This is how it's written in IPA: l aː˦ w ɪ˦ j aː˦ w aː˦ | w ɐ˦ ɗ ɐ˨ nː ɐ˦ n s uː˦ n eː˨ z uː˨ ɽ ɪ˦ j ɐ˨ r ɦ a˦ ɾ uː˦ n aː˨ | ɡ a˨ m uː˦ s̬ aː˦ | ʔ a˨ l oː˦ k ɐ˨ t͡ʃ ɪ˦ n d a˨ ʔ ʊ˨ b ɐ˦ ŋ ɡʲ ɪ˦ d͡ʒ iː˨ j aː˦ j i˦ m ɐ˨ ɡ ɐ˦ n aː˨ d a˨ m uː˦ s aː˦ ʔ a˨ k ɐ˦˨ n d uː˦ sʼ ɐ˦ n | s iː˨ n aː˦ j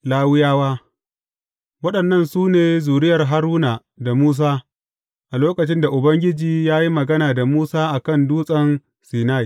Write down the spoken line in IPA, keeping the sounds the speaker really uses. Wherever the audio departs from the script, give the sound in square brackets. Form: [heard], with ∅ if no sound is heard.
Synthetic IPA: l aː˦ w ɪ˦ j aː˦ w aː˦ | w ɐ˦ ɗ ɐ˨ nː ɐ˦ n s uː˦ n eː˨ z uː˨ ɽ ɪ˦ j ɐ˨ r ɦ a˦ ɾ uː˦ n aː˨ | [d] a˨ m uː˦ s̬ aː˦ | ʔ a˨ l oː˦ k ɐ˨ t͡ʃ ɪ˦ n d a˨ ʔ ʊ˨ b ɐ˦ ŋ ɡʲ ɪ˦ d͡ʒ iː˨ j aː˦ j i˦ m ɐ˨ ɡ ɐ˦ n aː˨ d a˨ m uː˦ s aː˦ ʔ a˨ k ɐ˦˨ n d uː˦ sʼ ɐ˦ n | s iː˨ n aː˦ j